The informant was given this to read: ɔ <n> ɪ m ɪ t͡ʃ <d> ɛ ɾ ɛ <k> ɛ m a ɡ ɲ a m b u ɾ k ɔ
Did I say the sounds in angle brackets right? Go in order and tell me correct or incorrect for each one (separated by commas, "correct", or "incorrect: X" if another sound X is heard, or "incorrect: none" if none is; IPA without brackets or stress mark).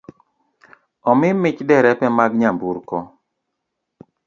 incorrect: m, correct, incorrect: p